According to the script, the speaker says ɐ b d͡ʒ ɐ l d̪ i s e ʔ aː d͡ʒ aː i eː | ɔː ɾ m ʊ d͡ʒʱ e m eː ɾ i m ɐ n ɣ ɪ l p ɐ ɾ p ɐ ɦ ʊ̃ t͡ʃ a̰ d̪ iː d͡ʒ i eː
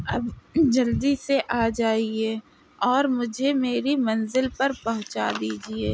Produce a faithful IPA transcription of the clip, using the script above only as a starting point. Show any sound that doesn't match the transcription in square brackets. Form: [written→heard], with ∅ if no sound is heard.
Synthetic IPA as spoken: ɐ b d͡ʒ ɐ l d̪ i s e ʔ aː d͡ʒ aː i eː | ɔː ɾ m ʊ d͡ʒʱ e m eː ɾ i m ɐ n [ɣ→z] ɪ l p ɐ ɾ p ɐ ɦ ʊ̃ t͡ʃ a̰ d̪ iː d͡ʒ i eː